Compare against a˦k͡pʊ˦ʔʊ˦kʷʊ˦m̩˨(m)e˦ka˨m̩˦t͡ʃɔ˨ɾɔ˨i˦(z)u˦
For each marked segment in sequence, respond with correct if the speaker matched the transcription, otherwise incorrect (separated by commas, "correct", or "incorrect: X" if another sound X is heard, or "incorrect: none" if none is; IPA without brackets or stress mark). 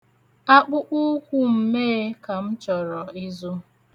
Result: correct, correct